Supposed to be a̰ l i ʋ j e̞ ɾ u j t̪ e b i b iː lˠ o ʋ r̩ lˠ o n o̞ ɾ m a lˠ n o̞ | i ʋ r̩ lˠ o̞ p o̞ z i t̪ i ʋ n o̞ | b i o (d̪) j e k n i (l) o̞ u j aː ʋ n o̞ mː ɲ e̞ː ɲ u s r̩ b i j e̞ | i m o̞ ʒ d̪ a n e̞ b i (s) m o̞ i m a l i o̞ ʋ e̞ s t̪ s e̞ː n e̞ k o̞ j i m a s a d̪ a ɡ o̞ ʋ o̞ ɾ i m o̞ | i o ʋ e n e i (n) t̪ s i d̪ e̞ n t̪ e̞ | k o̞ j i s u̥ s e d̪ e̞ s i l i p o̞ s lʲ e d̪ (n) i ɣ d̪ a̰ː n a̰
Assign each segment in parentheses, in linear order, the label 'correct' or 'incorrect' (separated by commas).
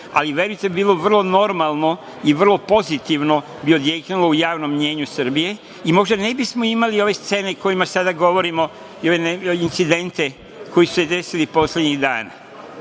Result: correct, correct, correct, correct, incorrect